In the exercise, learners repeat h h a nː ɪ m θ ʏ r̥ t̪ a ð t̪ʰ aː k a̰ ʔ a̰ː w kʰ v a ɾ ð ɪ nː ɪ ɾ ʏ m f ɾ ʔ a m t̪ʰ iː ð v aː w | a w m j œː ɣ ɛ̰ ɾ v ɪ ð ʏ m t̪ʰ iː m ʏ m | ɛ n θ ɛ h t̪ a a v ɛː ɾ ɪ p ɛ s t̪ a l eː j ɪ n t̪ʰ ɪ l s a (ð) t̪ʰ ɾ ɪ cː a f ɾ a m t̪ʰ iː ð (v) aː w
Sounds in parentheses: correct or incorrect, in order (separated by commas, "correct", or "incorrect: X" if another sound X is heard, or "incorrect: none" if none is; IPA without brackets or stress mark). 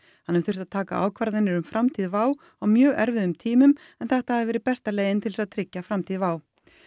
correct, correct